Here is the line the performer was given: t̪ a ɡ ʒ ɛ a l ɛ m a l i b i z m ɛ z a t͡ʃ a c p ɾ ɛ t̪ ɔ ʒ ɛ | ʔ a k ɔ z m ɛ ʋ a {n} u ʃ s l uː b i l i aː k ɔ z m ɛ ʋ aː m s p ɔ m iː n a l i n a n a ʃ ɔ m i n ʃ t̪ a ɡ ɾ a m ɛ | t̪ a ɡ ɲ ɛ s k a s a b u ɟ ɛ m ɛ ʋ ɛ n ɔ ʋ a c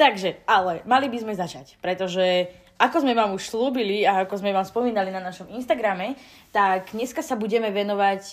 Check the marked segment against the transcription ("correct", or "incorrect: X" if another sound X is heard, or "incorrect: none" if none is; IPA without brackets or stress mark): incorrect: m